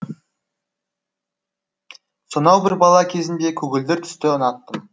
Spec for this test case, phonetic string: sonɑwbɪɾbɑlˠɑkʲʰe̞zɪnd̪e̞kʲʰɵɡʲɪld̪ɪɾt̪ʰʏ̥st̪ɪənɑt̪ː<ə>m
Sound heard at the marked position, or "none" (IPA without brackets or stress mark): ə